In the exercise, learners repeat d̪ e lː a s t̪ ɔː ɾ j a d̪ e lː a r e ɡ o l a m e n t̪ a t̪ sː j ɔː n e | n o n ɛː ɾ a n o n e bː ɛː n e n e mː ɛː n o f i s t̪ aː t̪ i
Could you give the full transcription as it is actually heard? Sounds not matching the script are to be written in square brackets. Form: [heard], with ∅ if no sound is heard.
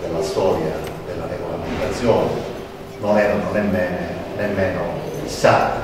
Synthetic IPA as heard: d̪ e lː a s t̪ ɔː ɾ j a d̪ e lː a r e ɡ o l a m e n t̪ a t̪ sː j ɔː n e | n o n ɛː ɾ a n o n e [mː] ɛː n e n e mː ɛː n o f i s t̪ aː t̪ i

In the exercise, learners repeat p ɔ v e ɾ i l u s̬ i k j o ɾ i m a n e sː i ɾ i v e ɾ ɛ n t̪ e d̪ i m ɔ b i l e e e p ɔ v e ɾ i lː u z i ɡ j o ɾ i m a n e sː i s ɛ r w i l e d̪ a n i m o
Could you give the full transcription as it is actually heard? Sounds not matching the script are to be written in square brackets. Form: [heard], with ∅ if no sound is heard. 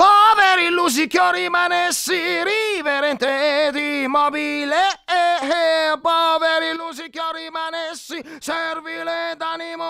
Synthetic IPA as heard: p ɔ v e ɾ i l u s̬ i k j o ɾ i m a n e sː i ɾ i v e ɾ ɛ n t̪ e d̪ i m ɔ b i l e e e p ɔ v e ɾ i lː u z i [k] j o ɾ i m a n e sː i s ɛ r [v] i l e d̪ a n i m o

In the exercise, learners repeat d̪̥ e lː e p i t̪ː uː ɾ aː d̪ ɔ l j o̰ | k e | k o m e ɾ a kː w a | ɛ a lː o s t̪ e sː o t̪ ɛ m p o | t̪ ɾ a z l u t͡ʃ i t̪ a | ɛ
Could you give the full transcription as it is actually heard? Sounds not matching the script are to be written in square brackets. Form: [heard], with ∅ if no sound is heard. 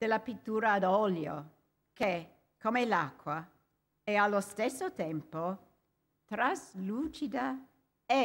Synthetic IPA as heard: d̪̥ e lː [a] p i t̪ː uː ɾ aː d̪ ɔ l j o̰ | k e | k o m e [l] a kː w a | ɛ a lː o s t̪ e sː o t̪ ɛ m p o | t̪ ɾ a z l u t͡ʃ i [d̪] a | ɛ

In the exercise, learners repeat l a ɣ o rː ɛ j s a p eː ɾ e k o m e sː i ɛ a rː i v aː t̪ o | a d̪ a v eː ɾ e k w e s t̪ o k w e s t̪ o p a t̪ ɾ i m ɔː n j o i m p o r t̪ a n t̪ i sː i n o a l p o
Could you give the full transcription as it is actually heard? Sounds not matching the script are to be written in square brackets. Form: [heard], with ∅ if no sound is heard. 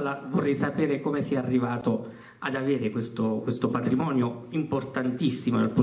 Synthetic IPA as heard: l a [v] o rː ɛ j s a p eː ɾ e k o m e [s] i ɛ a rː i v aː t̪ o | a d̪ a v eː ɾ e k w e s t̪ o k w e s t̪ o p a t̪ ɾ i m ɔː n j o i m p o r t̪ a n t̪ i sː i [m] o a l p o

